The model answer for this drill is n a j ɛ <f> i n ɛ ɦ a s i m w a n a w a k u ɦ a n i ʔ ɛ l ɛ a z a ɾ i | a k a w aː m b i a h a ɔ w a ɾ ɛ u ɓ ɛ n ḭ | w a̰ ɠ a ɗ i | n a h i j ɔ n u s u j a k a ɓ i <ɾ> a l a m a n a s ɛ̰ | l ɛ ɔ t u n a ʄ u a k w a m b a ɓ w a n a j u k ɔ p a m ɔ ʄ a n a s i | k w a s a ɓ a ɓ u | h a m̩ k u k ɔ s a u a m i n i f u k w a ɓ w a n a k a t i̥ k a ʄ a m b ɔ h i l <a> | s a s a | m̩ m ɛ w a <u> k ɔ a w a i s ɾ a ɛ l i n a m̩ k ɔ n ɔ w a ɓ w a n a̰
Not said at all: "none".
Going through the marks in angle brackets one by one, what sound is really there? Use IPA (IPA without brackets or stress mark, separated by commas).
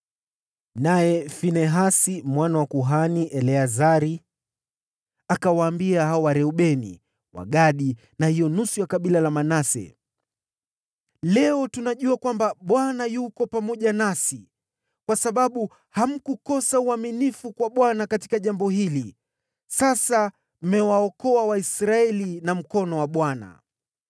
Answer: f, l, i, ɔ